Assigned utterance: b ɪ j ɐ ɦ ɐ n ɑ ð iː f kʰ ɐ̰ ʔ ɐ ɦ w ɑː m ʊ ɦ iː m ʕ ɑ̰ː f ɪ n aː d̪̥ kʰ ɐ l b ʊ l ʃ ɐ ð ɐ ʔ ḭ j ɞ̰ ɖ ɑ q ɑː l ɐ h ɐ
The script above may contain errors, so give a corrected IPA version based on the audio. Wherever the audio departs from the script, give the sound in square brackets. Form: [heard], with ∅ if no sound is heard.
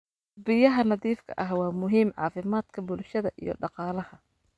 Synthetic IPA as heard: b ɪ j ɐ ɦ ɐ n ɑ ð iː f kʰ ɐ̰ ʔ ɐ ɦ w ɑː m ʊ ɦ iː m ʕ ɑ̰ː f ɪ [m] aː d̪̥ kʰ ɐ [∅] b ʊ l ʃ ɐ ð ɐ ʔ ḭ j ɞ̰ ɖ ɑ q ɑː l ɐ h ɐ